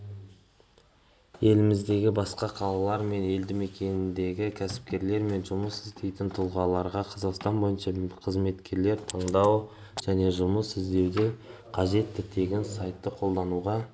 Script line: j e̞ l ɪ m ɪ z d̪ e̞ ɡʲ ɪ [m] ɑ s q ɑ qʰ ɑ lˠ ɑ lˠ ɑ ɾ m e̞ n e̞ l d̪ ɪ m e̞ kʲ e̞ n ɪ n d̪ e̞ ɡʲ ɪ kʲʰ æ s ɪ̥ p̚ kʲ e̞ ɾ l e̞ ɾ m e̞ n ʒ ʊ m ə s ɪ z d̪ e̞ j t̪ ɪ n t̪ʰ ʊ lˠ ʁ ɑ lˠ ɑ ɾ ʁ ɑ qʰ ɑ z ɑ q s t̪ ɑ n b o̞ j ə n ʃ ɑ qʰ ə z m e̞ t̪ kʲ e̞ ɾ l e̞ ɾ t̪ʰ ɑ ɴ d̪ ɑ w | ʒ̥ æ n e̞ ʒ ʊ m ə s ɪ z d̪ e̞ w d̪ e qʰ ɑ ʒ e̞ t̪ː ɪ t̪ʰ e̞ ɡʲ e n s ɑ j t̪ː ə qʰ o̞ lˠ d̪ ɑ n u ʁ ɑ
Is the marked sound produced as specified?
no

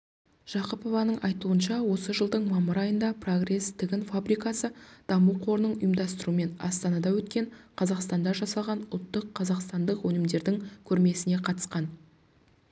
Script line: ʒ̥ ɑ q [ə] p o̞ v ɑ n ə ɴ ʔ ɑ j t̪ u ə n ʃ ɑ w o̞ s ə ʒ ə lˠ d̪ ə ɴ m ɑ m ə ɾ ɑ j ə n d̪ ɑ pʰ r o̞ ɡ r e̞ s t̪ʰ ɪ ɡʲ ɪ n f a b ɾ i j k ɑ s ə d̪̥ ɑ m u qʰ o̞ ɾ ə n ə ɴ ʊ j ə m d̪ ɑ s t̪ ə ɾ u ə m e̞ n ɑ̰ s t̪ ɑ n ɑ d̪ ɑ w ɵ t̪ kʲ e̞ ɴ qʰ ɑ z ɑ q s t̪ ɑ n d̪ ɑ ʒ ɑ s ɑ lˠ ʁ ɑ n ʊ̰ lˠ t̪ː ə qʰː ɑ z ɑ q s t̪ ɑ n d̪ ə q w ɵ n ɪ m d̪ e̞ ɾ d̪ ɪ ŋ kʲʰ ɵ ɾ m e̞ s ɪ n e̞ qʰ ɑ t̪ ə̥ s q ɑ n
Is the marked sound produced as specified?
yes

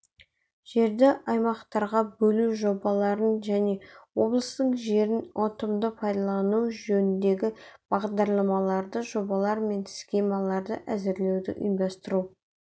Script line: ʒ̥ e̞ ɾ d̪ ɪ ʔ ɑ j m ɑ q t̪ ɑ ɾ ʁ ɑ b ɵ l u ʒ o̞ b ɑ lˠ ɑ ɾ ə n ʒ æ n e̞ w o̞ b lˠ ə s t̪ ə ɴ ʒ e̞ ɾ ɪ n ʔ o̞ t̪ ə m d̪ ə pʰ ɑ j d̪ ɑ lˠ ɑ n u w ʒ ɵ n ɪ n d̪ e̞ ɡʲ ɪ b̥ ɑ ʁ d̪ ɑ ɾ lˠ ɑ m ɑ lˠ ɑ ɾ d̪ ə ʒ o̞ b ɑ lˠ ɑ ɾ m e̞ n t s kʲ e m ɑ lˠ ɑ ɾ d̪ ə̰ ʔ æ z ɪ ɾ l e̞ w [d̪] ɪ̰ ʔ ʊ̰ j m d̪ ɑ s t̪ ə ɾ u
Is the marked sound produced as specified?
yes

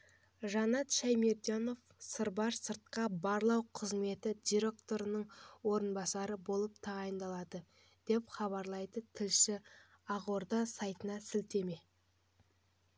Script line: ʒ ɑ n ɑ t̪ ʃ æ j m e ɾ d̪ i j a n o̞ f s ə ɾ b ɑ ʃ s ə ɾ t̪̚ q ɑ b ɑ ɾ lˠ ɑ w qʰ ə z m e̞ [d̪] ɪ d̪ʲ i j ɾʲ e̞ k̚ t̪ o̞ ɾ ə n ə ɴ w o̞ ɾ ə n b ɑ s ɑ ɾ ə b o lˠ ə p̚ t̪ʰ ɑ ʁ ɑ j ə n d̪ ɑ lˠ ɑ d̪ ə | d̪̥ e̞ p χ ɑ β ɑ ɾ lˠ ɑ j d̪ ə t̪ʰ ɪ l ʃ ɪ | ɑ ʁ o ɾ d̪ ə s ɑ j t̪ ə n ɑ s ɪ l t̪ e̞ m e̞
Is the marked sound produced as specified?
no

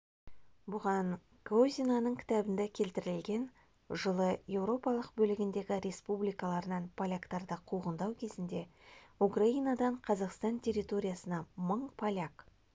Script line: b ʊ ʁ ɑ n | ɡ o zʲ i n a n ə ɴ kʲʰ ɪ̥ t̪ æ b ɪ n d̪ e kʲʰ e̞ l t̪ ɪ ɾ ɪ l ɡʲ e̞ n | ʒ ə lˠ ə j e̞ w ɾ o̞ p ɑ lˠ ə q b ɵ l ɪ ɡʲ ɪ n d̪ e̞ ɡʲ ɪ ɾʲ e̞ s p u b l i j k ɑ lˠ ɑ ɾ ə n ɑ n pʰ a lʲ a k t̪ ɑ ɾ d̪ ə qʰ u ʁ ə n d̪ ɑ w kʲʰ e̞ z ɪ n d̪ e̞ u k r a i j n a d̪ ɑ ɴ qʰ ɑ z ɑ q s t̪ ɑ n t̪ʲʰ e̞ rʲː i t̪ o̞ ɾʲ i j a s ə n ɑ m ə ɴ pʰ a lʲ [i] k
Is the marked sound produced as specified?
no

